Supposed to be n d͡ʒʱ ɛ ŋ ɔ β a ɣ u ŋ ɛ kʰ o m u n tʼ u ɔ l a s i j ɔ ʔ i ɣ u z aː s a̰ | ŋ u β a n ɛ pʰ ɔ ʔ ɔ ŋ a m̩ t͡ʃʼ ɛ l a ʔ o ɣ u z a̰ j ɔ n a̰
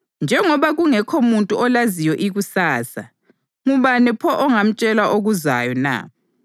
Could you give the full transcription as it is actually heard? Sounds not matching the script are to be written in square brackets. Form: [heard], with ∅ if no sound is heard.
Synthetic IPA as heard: n d͡ʒʱ ɛ ŋ ɔ β a ɣ u ŋ ɛ kʰ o m u n tʼ u ɔ l a [z] i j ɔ ʔ i ɣ u [s] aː s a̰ | ŋ u β a n ɛ pʰ ɔ ʔ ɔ ŋ a m̩ t͡ʃʼ ɛ l a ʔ o ɣ u z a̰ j ɔ n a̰

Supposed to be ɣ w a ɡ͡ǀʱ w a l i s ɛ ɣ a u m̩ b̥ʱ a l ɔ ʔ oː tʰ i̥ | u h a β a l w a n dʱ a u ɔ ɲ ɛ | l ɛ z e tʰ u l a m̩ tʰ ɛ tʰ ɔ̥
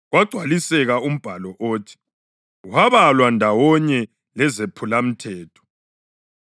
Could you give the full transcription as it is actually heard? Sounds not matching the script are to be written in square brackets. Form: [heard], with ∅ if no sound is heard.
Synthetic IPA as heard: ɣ w a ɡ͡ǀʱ w a l i s ɛ ɣ a u m̩ b̥ʱ a l ɔ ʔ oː tʰ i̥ | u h a β a l w a n dʱ a [w] ɔ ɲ ɛ | l ɛ z e [pʰ] u l a m̩ tʰ [ɛː] tʰ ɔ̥

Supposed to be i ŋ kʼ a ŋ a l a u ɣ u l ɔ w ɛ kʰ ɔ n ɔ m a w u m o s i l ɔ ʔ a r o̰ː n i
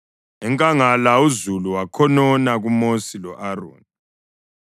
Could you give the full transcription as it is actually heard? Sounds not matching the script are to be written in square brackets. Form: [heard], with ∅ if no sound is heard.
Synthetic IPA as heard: [ɛ] ŋ kʼ a ŋ a l a u [z] u l [u] w [a] kʰ ɔ n ɔ [n] a [ɣ] u m o s i l ɔ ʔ a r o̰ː n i

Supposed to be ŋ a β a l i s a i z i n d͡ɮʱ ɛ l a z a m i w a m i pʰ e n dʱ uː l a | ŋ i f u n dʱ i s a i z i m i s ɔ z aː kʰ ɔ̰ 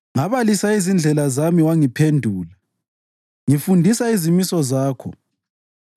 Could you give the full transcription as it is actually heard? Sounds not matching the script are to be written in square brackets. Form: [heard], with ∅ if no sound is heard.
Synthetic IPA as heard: ŋ a β a l i s a i z i n d͡ɮʱ ɛ l a z a m i w a [ŋ] i pʰ e n dʱ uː l a | ŋ i f u n dʱ i s a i z i m i s ɔ z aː kʰ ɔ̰

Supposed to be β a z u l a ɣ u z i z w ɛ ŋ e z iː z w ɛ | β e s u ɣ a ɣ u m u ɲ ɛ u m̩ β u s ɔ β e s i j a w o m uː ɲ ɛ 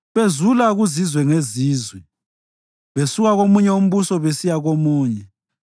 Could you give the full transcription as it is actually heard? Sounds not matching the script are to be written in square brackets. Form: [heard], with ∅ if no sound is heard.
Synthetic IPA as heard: β [e] z u l a ɣ u z i z w ɛ ŋ e z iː z w ɛ | β e s u ɣ a ɣ [o] m u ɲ ɛ u m̩ β u s ɔ β e s i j a [ɣ] o m uː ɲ ɛ

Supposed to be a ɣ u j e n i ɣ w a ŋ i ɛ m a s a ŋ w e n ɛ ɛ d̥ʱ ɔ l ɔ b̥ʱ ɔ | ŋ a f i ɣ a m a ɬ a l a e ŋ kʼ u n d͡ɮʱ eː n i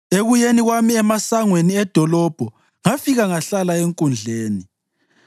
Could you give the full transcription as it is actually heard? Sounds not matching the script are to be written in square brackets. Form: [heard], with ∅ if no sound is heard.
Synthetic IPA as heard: [e] ɣ u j e n i ɣ w a [m] i ɛ m a s a ŋ w e n [i] ɛ d̥ʱ ɔ l ɔ b̥ʱ ɔ | ŋ a f i ɣ a [ŋ] a ɬ a l a e ŋ kʼ u n d͡ɮʱ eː n i

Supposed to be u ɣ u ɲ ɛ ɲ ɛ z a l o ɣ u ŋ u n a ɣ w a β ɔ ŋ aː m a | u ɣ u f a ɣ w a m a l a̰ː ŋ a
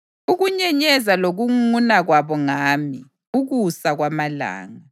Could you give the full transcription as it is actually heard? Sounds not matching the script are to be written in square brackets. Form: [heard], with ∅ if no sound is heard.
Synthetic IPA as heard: u ɣ u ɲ ɛ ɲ ɛ z a l o ɣ u ŋ u n a ɣ w a β ɔ ŋ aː m [i] | u ɣ u [s] a ɣ w a m a l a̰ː ŋ a

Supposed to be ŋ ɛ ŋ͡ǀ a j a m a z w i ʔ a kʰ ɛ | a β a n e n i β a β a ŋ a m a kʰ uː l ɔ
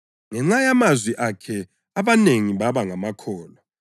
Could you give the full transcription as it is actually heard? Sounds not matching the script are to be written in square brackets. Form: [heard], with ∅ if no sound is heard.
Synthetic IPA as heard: ŋ ɛ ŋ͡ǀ a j a m a z w i ʔ a kʰ ɛ | a β a n e [ŋ] i β a β a ŋ a m a kʰ [ɔː] l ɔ

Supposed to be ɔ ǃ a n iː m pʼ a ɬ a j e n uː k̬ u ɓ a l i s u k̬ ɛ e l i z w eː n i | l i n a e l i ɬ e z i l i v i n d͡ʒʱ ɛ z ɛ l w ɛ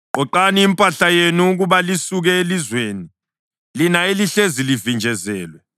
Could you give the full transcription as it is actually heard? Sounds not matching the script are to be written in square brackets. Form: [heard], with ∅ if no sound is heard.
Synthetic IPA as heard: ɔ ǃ a n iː m pʼ a ɬ a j e n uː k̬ u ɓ a l i s u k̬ ɛ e l i z w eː n i | l i n a e l i ɬ e z i l i v i n d͡ʒʱ ɛ z [ɛː] l w ɛ

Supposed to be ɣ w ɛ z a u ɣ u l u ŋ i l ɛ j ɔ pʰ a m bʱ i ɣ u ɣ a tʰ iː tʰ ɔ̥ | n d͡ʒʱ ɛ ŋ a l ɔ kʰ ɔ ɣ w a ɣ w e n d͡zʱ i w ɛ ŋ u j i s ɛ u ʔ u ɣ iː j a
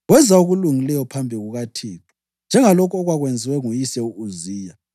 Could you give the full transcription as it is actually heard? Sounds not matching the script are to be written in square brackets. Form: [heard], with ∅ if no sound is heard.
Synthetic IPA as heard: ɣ w ɛ z a u ɣ u l u ŋ i l ɛ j ɔ pʰ a m bʱ i ɣ u ɣ a tʰ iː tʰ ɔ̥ | n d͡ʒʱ ɛ ŋ a l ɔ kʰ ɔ ɣ w a ɣ w e n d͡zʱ i w ɛ ŋ u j i s ɛ u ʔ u [z] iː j a

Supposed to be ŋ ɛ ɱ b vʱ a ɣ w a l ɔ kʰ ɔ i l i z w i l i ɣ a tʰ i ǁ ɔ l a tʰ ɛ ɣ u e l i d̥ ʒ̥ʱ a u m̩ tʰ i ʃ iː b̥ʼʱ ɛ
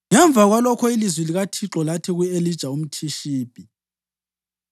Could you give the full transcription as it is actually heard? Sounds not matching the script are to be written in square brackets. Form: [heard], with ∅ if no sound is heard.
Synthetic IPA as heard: ŋ ɛ ɱ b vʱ a ɣ w a l ɔ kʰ ɔ i l i z w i l i ɣ a tʰ i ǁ ɔ l a tʰ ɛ ɣ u e l i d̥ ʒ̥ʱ a u m̩ tʰ i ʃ iː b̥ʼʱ [i]

